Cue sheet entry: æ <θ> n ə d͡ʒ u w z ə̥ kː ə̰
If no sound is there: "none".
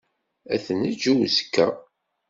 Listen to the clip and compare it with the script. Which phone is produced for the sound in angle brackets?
θ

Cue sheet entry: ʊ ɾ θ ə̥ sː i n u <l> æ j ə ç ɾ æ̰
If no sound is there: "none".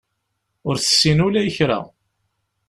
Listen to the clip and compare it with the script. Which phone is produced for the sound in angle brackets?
l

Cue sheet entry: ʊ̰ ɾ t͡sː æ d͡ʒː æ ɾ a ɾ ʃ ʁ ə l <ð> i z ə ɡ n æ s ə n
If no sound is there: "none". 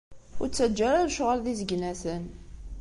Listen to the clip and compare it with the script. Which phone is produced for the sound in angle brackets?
ð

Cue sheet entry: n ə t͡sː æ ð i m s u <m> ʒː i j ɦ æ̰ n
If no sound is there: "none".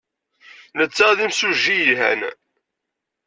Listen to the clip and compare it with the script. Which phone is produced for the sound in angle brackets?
none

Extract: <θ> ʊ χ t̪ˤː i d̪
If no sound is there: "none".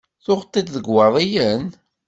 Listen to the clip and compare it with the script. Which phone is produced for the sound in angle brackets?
θ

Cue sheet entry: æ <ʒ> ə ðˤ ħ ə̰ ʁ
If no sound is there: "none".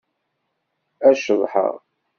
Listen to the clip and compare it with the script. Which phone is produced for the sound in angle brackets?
ʃ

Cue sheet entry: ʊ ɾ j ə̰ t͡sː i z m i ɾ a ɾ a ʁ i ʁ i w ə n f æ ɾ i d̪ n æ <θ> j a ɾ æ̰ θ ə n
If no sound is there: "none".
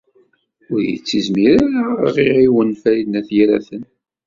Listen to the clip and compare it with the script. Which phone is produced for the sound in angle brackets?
θ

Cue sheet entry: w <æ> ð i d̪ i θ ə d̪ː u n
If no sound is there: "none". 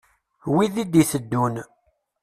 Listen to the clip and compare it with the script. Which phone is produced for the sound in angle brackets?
i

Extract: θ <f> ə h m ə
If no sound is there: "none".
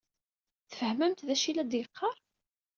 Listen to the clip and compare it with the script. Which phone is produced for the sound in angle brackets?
f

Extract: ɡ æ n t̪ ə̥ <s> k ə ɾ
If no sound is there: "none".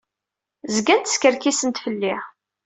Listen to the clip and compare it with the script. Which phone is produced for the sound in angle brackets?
s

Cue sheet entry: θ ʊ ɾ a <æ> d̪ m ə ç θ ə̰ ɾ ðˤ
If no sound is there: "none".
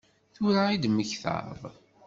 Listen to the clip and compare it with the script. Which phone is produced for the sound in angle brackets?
i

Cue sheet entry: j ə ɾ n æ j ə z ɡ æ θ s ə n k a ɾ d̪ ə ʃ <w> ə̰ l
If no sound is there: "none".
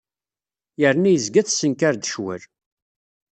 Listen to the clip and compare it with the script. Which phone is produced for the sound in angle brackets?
w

